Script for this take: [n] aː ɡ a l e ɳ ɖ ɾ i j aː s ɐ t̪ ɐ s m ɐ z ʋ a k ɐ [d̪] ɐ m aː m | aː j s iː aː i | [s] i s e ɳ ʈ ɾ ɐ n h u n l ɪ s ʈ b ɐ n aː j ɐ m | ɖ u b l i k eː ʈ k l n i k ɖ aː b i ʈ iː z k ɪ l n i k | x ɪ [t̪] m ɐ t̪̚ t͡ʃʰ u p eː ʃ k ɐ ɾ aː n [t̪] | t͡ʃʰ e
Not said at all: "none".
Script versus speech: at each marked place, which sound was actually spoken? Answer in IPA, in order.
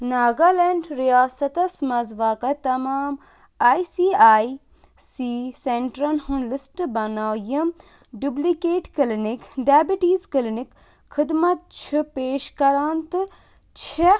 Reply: n, t̪, s, d̪, t̪

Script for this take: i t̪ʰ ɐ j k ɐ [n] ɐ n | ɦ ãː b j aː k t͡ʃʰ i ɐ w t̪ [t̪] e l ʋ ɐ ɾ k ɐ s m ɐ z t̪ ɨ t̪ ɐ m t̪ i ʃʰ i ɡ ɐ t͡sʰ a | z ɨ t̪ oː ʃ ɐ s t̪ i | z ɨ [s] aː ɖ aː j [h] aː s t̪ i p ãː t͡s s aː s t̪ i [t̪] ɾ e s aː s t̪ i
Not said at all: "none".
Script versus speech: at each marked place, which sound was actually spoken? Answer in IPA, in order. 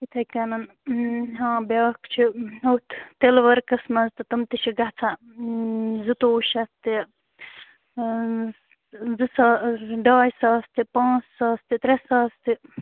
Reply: n, t̪, s, s, t̪

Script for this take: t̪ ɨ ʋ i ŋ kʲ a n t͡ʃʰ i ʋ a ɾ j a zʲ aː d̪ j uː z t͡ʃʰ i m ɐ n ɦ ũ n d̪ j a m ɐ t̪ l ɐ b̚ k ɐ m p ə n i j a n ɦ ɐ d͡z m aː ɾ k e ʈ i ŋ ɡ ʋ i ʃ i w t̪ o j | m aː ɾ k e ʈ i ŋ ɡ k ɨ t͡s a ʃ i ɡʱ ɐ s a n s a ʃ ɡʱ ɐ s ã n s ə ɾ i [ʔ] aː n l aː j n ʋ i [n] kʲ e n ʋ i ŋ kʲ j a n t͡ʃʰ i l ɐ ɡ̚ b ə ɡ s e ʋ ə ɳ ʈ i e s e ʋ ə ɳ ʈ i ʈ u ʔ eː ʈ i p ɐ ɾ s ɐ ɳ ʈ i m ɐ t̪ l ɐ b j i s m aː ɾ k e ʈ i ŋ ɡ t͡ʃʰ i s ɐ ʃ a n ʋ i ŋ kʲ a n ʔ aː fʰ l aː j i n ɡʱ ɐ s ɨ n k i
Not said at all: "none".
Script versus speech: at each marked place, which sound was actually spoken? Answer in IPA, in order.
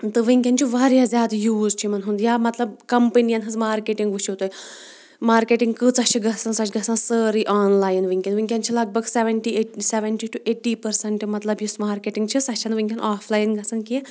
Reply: ʔ, ŋ

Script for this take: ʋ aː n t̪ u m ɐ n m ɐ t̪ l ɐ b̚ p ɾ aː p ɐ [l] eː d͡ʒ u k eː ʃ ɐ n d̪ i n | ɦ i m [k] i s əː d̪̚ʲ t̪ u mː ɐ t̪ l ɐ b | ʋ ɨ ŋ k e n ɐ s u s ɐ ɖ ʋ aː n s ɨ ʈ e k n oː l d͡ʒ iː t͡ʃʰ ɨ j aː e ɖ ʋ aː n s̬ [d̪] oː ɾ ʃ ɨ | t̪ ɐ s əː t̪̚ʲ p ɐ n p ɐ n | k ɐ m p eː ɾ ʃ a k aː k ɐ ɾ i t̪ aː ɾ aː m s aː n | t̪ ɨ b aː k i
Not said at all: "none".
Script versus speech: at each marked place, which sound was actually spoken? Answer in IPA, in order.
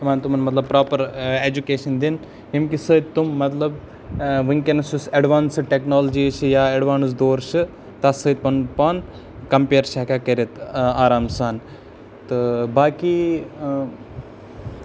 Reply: ɾ, k, d̪

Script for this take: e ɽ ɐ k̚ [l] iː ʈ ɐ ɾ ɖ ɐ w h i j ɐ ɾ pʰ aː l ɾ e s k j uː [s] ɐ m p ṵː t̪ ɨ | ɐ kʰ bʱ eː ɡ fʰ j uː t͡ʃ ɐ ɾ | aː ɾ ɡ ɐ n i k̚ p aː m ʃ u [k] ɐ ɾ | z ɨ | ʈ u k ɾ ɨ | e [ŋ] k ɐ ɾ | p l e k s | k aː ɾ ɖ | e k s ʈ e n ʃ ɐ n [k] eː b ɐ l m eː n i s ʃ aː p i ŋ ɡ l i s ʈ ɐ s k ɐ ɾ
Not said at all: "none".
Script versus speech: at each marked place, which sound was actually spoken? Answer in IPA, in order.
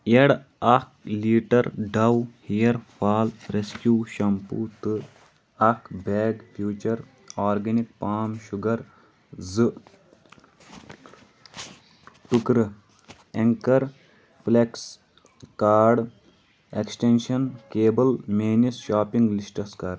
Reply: l, ʃ, ɡ, ŋ, k

